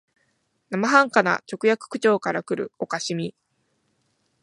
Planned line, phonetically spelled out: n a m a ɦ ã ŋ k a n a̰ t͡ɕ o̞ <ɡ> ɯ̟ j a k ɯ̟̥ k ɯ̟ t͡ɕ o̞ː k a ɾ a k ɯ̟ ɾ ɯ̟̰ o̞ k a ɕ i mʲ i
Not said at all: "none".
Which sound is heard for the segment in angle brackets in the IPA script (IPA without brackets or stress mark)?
k